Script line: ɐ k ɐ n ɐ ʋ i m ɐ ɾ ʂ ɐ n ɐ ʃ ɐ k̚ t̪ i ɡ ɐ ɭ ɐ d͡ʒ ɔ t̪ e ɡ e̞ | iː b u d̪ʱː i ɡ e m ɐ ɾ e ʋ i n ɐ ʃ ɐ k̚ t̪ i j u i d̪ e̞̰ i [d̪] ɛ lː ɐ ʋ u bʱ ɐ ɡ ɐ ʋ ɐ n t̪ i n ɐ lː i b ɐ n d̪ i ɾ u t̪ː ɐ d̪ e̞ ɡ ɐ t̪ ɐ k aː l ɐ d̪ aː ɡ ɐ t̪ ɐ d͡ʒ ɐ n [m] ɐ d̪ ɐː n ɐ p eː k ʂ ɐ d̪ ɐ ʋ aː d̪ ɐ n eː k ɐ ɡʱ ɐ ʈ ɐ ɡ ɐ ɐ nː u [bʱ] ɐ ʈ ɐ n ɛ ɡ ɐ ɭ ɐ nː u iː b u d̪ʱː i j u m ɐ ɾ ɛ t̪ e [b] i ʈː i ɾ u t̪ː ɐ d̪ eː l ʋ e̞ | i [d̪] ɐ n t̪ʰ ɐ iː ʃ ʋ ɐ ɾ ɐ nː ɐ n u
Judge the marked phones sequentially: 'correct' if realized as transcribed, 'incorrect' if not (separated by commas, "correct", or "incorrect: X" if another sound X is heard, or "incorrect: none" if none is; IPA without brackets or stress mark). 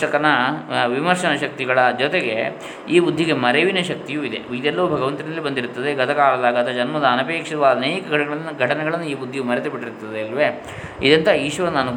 correct, correct, incorrect: ɡʱ, correct, correct